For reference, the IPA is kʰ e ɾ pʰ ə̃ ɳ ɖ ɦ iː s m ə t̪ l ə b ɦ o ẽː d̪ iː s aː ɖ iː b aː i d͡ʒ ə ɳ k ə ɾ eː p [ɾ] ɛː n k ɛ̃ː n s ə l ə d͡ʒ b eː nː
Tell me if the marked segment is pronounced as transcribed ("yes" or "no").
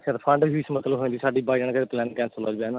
no